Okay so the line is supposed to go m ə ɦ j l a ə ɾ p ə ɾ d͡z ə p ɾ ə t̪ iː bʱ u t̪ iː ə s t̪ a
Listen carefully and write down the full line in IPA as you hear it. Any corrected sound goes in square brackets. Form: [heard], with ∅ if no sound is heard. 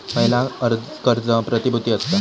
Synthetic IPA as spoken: m ə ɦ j l a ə ɾ [k] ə ɾ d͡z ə p ɾ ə t̪ [i] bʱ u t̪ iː ə s t̪ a